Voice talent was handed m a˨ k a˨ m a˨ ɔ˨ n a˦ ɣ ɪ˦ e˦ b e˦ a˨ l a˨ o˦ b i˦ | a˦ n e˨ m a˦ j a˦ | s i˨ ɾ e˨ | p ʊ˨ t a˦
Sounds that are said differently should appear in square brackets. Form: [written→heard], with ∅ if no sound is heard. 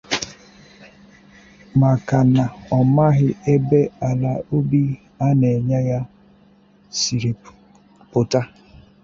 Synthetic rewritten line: m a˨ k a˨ [m→n] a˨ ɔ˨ [n→m] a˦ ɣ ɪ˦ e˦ b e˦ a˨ l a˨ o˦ b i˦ | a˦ n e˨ [m→ɲ] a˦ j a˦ | s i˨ ɾ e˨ | p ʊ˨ t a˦